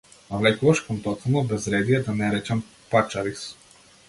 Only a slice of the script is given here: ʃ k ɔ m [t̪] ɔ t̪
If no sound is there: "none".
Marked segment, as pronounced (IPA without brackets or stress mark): t̪